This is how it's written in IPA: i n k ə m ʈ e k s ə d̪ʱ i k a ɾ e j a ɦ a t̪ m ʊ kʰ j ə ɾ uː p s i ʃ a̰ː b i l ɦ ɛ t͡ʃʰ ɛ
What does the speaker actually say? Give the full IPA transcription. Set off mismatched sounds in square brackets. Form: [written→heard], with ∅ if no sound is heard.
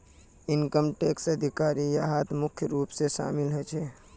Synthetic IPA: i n k ə m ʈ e k s ə d̪ʱ i k a ɾ [e→i] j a ɦ a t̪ m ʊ kʰ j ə ɾ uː p s [i→e] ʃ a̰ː [b→m] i l ɦ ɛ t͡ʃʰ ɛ